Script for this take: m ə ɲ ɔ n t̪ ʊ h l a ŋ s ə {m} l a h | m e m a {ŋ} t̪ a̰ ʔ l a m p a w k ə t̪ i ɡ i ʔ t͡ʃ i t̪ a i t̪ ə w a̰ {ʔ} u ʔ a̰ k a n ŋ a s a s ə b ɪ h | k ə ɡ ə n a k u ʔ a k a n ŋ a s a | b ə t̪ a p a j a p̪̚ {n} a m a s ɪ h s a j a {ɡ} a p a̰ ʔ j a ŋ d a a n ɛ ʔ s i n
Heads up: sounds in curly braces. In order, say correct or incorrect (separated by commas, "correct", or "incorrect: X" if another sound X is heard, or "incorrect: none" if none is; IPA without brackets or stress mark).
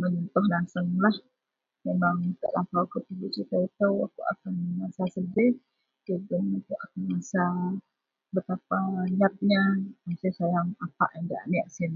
incorrect: ŋ, correct, incorrect: k, incorrect: ɲ, incorrect: ŋ